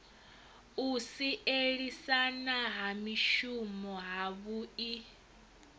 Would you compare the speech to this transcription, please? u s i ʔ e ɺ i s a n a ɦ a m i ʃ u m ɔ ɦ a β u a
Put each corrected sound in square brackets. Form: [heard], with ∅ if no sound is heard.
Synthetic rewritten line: u s i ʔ e ɺ i s a n a ɦ a m i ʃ u m ɔ ɦ a β u [i]